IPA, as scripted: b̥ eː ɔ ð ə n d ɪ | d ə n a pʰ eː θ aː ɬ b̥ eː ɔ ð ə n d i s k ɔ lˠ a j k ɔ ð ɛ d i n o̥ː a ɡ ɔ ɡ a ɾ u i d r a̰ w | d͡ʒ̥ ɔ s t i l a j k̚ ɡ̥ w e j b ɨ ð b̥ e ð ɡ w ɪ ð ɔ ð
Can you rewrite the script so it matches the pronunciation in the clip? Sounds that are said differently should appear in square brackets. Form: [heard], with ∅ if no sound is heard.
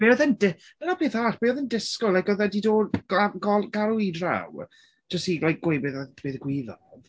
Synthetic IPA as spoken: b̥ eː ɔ ð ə n d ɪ | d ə n a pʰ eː θ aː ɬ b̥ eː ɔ ð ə n d [ɪ] s k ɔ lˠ a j k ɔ ð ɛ d i [d] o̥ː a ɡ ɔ ɡ a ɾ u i d r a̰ w | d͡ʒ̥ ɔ s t i l a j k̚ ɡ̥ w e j b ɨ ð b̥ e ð ɡ w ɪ ð ɔ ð